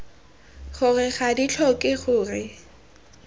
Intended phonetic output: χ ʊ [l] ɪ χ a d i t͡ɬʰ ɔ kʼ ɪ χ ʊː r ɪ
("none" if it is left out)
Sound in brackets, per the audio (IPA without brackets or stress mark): r